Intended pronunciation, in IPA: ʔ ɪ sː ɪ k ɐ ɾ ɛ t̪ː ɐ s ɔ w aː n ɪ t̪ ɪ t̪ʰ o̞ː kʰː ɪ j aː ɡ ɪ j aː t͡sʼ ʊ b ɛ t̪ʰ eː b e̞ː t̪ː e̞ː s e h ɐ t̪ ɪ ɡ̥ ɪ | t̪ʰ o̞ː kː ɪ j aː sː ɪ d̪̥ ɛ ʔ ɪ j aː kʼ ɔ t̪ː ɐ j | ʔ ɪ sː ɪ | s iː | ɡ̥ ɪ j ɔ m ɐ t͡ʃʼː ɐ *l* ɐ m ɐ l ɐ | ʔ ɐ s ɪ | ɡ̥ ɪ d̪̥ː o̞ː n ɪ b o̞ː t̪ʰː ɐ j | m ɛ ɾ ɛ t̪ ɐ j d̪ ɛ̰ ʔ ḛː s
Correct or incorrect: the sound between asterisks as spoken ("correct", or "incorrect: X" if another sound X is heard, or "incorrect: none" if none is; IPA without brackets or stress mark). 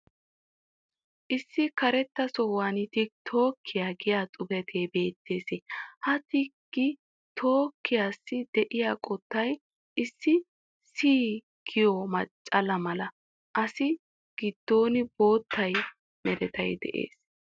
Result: correct